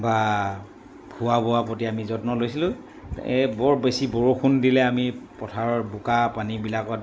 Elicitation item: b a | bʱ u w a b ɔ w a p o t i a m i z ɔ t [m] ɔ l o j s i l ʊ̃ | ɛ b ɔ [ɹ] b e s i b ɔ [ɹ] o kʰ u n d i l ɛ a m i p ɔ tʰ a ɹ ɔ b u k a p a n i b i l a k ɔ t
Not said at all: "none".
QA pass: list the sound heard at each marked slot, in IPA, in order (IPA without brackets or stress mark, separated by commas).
n, ɹ, ɹ